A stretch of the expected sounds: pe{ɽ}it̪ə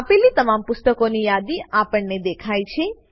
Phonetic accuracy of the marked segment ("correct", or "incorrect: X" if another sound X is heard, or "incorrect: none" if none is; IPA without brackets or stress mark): incorrect: l